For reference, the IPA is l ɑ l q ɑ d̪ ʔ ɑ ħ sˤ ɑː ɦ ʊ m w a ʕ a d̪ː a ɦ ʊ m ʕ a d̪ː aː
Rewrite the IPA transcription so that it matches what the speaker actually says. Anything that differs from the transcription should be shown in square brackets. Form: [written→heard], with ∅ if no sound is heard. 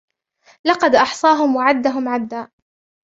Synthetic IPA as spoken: l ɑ [l→∅] q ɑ d̪ ʔ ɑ ħ sˤ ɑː ɦ ʊ m w a ʕ a d̪ː a ɦ ʊ m ʕ a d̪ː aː